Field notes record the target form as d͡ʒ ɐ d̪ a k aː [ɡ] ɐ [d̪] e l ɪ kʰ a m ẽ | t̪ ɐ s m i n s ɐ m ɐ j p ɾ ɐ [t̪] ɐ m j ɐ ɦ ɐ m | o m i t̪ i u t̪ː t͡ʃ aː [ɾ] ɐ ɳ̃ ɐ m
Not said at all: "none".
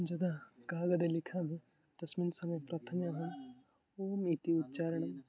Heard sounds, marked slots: ɡ, d̪, t̪ʰ, ɾ

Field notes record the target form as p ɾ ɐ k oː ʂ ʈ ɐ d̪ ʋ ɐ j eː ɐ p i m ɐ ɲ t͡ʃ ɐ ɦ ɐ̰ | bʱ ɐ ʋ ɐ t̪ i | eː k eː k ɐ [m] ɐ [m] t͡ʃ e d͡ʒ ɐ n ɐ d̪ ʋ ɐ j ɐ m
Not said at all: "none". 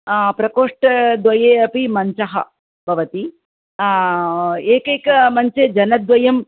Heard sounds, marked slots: m, ɲ

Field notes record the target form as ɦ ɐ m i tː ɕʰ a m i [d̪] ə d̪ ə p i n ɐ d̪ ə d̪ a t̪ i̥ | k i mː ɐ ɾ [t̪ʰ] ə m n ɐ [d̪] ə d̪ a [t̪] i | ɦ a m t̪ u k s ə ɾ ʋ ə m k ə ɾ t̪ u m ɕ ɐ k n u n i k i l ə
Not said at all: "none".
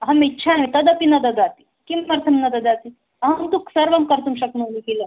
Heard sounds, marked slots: t̪, t̪ʰ, d̪, t̪

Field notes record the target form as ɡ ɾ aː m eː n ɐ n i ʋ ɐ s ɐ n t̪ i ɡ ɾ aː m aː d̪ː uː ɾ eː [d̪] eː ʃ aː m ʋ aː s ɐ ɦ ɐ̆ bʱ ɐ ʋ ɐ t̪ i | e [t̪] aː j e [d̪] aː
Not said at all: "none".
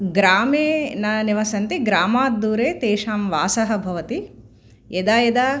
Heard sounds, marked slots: t̪, d̪, d̪

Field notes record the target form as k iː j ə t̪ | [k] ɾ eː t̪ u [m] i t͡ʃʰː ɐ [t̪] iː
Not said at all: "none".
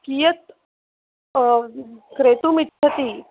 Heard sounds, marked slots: k, m, t̪

